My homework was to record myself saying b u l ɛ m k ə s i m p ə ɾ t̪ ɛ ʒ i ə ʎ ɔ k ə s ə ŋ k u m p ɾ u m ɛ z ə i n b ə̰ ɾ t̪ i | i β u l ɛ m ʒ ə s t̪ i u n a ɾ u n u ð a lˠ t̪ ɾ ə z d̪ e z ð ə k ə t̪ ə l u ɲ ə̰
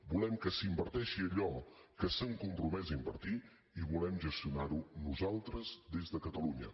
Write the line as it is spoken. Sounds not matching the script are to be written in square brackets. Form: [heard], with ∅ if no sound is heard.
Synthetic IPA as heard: b u l ɛ m k ə s i m [b] ə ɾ t̪ ɛ [ʃ] i ə ʎ ɔ k ə s ə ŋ k u m p ɾ u m ɛ z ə i [m] b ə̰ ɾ t̪ i | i β u l ɛ m ʒ ə s t̪ i u n a ɾ u n u [z] a lˠ t̪ ɾ ə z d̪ e z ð ə k ə t̪ ə l u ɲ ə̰